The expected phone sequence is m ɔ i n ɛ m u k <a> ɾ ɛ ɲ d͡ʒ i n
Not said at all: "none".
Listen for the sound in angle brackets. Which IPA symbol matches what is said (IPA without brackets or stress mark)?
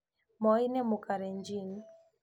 a